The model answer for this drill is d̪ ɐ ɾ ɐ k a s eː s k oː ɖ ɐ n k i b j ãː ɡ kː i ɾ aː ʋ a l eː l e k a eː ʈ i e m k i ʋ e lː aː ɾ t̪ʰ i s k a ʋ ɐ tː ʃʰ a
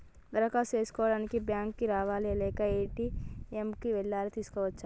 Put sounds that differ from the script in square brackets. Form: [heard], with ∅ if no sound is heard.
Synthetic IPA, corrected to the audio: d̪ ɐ ɾ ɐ k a s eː s k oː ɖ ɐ n k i b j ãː [ŋ] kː i ɾ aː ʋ a l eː l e k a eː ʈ i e m k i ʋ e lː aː ɾ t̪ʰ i s k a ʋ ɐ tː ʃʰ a

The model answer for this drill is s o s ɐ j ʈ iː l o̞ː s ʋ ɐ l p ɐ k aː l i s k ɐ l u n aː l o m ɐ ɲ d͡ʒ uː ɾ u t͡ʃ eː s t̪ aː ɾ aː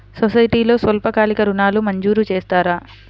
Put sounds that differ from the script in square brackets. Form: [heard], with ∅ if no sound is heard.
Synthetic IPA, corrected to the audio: s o s ɐ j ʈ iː l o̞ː s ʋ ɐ l p ɐ k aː l i [∅] k ɐ [ɾ] u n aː l [u] m ɐ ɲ d͡ʒ uː ɾ u t͡ʃ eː s t̪ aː ɾ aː

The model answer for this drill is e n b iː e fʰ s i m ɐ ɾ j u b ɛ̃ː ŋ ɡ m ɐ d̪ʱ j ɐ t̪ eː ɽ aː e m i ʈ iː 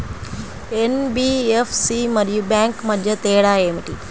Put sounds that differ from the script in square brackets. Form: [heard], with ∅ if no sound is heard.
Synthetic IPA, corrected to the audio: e n b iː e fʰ s i m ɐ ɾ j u b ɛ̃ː ŋ [k] m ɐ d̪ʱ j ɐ t̪ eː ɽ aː e m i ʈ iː

